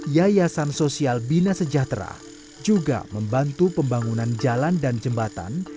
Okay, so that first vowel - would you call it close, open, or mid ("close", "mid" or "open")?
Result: open